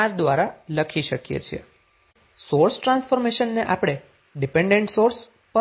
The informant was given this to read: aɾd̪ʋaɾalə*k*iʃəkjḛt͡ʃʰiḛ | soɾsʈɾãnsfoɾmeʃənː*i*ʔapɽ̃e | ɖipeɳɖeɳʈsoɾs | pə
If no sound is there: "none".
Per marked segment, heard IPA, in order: kʰ, e

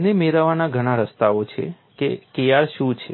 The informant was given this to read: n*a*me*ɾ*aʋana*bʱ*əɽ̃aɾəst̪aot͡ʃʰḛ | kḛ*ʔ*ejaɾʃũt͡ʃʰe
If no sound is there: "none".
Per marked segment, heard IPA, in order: e, ɾ, ɡʱ, k

